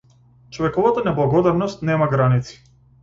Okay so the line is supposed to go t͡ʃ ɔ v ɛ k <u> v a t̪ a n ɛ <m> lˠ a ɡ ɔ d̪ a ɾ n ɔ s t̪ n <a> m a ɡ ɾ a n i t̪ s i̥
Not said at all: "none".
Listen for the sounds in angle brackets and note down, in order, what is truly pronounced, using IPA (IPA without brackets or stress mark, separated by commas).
ɔ, b, ɛ